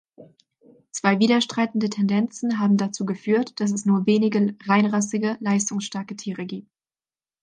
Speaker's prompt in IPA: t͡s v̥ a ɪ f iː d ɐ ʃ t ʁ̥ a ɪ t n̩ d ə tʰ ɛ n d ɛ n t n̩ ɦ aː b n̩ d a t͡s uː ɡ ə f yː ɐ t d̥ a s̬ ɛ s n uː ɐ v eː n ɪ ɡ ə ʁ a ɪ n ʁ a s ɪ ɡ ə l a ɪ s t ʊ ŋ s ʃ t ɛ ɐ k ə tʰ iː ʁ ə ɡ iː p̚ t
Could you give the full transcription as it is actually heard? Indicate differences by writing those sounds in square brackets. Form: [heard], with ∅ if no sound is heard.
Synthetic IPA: t͡s v̥ a ɪ [v] iː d ɐ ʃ t ʁ̥ a ɪ t n̩ d ə tʰ ɛ n d ɛ n [t͡s] n̩ ɦ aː b [m̩] d a t͡s uː ɡ ə f yː ɐ t d̥ a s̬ ɛ s n uː ɐ v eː n ɪ ɡ ə ʁ a ɪ n ʁ a s ɪ ɡ ə l a ɪ s t ʊ ŋ s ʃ t ɛ ɐ k ə tʰ iː ʁ ə ɡ iː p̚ t